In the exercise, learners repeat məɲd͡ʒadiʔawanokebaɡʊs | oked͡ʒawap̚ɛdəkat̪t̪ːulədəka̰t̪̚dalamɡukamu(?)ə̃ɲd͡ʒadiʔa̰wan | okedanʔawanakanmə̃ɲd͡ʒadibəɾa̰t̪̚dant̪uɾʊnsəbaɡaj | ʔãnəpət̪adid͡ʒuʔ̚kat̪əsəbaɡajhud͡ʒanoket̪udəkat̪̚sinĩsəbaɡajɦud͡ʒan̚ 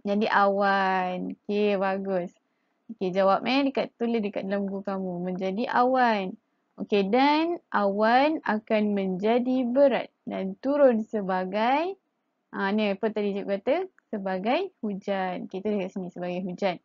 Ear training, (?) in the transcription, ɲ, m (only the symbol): m